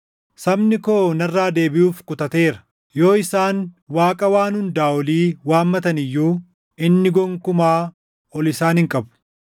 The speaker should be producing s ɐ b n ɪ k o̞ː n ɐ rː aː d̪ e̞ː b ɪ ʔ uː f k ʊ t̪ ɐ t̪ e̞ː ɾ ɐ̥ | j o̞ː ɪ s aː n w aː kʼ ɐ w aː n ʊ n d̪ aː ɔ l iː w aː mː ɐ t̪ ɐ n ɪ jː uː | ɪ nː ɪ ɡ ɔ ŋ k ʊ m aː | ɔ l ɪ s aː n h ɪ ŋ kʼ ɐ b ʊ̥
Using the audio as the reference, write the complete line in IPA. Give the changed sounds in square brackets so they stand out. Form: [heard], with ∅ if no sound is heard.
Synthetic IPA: s ɐ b n ɪ k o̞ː n ɐ rː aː d̪ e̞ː b ɪ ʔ uː f k ʊ t̪ ɐ t̪ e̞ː ɾ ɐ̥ | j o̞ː ɪ s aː n w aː kʼ ɐ w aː n ʊ n d̪ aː ɔ l iː w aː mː ɐ t̪ ɐ n ɪ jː uː | ɪ nː ɪ ɡ ɔ ŋ k ʊ m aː | ɔ l ɪ s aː n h ɪ ŋ kʼ ɐ b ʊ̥